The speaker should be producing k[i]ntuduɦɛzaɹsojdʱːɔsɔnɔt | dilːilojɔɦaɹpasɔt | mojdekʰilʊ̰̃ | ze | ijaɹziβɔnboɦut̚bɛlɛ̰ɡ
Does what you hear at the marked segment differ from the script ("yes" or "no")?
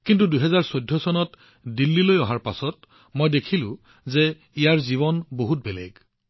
no